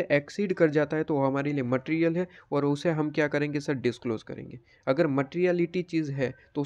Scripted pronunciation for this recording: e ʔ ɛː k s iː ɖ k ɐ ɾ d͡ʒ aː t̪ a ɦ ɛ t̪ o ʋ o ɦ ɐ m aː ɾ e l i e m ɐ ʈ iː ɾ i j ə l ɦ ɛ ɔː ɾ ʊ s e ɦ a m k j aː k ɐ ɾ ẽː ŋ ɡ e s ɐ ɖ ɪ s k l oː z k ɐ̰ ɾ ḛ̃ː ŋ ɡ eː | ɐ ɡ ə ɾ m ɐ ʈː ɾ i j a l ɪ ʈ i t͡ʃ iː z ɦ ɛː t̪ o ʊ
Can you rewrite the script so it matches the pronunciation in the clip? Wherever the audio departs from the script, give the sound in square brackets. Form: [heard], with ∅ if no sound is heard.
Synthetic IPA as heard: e ʔ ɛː k s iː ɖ k ɐ ɾ d͡ʒ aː t̪ a ɦ ɛ t̪ o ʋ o ɦ ɐ m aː ɾ e l i e m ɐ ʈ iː ɾ i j ə l ɦ ɛ ɔː ɾ ʊ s e ɦ [ɐ] m k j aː k ɐ ɾ ẽː ŋ ɡ e s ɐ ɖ ɪ s k l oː z k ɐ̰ ɾ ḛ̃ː ŋ ɡ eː | ɐ ɡ ə ɾ m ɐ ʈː ɾ i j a l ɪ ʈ i t͡ʃ iː z ɦ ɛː t̪ o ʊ

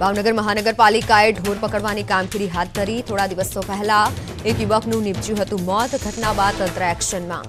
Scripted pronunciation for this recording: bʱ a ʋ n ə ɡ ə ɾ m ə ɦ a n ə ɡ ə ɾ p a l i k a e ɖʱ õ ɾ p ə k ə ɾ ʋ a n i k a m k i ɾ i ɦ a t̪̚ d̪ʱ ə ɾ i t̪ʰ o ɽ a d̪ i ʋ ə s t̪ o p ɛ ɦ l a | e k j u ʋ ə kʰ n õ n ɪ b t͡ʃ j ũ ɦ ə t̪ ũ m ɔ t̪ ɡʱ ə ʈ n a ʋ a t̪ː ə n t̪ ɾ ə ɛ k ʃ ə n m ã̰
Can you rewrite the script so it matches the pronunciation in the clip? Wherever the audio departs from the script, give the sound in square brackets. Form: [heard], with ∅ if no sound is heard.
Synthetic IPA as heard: bʱ a ʋ n ə ɡ ə ɾ m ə ɦ a n ə ɡ ə ɾ p a l i k a e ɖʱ [o] ɾ p ə k ə [ɽ] ʋ a n i k a m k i ɾ i ɦ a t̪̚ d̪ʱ ə ɾ i t̪ʰ o ɽ a d̪ i ʋ ə s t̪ o p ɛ ɦ l a | e k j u ʋ ə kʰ n [ũ] n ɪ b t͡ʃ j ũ ɦ ə t̪ ũ m ɔ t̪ ɡʱ ə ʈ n a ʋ a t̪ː ə n t̪ ɾ ə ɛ k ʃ ə n m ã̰

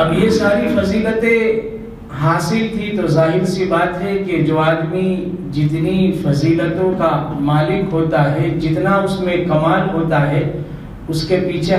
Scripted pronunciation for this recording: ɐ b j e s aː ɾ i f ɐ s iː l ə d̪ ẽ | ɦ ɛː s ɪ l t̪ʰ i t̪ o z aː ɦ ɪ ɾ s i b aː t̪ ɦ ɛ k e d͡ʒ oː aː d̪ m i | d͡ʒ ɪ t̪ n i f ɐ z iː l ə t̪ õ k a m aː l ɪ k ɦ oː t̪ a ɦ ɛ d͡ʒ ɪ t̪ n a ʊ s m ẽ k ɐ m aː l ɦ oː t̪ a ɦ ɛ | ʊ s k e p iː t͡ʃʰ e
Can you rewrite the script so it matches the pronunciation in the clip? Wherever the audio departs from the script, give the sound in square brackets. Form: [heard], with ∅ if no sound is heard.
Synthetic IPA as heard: ɐ b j e s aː ɾ i f ɐ [z] iː l ə [t̪] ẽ | ɦ [aː] s ɪ l t̪ʰ i t̪ o z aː ɦ ɪ ɾ s i b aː t̪ ɦ ɛ k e d͡ʒ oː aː d̪ m i | d͡ʒ ɪ t̪ n i f ɐ z iː l ə t̪ õ k a m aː l ɪ k ɦ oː t̪ a ɦ ɛ d͡ʒ ɪ t̪ n a ʊ s m ẽ k ɐ m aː l ɦ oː t̪ a ɦ ɛ | ʊ s k e p iː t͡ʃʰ e

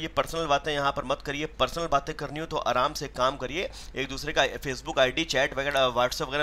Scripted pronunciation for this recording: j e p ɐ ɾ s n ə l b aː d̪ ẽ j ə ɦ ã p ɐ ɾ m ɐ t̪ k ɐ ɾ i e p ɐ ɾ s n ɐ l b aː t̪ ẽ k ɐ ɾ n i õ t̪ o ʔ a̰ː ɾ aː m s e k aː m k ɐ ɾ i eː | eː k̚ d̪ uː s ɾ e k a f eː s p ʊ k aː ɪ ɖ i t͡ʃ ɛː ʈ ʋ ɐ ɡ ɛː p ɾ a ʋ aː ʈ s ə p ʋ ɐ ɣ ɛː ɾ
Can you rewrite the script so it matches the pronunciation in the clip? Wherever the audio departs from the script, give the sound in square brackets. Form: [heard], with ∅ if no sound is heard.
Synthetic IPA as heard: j e p ɐ ɾ s n ə l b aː [t̪] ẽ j [ɐ] ɦ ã p ɐ ɾ m ɐ t̪ k ɐ ɾ i e p ɐ ɾ s n [ə] l b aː t̪ ẽ k ɐ ɾ n i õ t̪ o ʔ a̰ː ɾ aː m s e k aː m k ɐ ɾ i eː | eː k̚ d̪ uː s ɾ e k a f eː s [b] ʊ k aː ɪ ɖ i t͡ʃ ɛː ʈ ʋ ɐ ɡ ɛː [∅] ɾ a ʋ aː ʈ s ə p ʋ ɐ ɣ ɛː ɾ

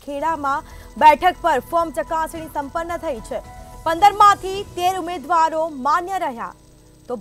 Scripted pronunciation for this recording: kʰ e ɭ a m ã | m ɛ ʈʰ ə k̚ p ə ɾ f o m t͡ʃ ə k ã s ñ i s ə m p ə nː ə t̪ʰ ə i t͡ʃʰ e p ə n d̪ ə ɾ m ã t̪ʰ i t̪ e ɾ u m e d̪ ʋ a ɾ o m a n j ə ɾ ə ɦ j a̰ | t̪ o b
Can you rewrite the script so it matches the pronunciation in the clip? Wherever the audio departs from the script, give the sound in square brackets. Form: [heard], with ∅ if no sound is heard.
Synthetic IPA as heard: kʰ e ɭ a m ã | [b] ɛ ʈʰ ə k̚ p ə ɾ f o m t͡ʃ ə k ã s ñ i s ə m p ə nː ə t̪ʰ ə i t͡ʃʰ e p ə n d̪ ə ɾ m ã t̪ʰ i t̪ e ɾ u m e d̪ ʋ a ɾ o m a n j ə ɾ ə ɦ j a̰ | t̪ o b

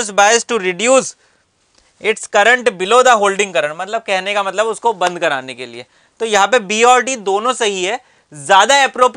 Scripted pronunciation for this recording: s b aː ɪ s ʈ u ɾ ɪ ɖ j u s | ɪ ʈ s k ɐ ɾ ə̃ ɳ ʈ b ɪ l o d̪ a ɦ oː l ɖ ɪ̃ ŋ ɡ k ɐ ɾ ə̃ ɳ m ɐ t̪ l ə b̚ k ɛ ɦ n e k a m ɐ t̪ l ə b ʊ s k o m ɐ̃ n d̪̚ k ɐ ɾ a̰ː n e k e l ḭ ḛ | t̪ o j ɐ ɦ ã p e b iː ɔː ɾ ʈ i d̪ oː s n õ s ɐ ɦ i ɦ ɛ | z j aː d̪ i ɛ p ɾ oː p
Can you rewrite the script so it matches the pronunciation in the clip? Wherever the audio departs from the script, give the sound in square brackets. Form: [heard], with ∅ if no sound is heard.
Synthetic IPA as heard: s b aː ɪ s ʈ u ɾ ɪ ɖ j [uː] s | ɪ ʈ s k ɐ ɾ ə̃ ɳ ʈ b ɪ l o d̪ a ɦ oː l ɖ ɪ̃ ŋ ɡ k ɐ ɾ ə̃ ɳ m ɐ t̪ l ə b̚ k ɛ ɦ n e k a m ɐ t̪ l ə b ʊ s k o [b] ɐ̃ n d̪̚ k ɐ ɾ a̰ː n e k e l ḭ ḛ | t̪ o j ɐ ɦ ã p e b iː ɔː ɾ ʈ i d̪ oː [∅] n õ s ɐ ɦ i ɦ ɛ | z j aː d̪ [a] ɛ p ɾ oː p

